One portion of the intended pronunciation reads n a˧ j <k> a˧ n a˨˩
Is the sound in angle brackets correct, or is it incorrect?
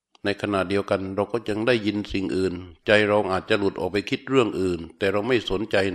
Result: incorrect